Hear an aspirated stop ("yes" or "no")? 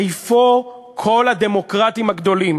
yes